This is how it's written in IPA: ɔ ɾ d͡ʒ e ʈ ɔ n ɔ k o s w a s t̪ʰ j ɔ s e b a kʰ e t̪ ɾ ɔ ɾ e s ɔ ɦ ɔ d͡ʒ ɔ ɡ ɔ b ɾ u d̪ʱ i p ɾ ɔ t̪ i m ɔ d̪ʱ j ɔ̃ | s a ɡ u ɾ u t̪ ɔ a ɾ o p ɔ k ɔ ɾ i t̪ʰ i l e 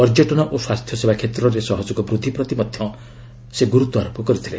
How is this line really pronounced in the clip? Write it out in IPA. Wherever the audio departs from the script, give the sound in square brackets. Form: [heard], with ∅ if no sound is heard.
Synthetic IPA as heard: ɔ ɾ d͡ʒ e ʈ ɔ n ɔ [ʔ] o s w a s t̪ʰ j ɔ s e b a kʰ e t̪ ɾ ɔ ɾ e s ɔ ɦ ɔ d͡ʒ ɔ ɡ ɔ b ɾ u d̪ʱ i p ɾ ɔ t̪ i m ɔ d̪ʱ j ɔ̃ | s [e] ɡ u ɾ u t̪ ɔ a ɾ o p ɔ k ɔ ɾ i t̪ʰ i l e